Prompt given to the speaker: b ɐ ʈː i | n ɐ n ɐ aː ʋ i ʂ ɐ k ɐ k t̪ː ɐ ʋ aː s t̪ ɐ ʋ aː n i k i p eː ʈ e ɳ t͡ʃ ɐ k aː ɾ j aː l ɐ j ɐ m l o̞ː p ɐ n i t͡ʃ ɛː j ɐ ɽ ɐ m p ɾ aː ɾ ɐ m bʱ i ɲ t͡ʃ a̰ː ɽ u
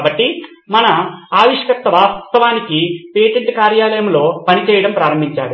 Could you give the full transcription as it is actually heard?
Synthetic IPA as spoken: b ɐ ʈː i | m ɐ n ɐ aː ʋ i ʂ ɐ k ɐ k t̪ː ɐ ʋ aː s t̪ ɐ ʋ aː n i k i p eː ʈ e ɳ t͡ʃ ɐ k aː ɾ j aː l ɐ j ɐ m l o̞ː p ɐ n i t͡ʃ ɛː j ɐ ɽ ɐ m p ɾ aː ɾ ɐ m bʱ i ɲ t͡ʃ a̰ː ɽ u